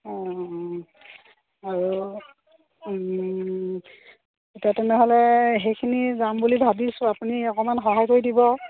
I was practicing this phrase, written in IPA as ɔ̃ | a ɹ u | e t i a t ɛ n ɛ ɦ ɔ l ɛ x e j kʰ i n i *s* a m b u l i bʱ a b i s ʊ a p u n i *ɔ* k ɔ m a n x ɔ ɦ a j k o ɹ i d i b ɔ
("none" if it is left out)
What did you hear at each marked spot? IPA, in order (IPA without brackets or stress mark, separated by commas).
z, ɔ